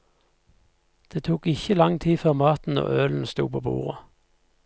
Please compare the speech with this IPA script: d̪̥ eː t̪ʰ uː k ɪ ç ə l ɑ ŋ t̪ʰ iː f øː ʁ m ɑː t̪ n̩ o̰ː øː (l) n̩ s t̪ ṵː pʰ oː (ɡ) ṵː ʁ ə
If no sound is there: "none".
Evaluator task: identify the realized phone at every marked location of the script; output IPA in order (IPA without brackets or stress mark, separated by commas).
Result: l, b